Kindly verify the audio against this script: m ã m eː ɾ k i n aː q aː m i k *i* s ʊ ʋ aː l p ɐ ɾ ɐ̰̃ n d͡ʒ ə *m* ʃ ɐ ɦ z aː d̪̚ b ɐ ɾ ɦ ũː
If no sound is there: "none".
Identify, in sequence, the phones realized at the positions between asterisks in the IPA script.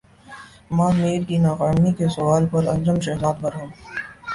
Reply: e, m

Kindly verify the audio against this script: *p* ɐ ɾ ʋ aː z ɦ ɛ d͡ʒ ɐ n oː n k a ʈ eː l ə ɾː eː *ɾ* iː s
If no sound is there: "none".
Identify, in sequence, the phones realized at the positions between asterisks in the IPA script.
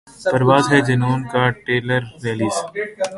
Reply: p, l

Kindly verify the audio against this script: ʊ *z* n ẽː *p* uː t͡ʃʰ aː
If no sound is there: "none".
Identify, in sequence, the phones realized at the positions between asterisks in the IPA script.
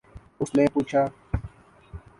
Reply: s, p

